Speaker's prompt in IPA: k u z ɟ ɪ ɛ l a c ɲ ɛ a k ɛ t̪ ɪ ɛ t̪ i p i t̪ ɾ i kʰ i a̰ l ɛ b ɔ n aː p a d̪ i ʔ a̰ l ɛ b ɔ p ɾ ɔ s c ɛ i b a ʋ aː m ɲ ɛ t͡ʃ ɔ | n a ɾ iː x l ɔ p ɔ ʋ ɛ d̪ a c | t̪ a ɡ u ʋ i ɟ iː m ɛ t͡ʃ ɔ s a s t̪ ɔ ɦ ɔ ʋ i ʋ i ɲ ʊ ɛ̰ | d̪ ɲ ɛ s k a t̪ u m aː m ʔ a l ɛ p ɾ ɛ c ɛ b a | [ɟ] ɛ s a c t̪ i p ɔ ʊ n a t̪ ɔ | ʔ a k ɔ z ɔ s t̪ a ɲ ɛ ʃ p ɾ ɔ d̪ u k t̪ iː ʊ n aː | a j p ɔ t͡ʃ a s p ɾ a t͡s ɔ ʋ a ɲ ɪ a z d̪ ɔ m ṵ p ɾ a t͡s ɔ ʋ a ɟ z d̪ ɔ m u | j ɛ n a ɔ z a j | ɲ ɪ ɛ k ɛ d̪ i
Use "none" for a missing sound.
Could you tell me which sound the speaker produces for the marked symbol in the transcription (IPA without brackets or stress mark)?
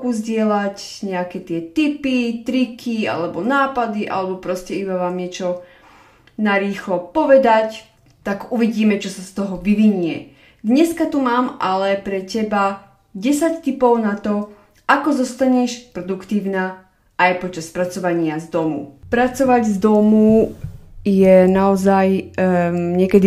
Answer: ɟ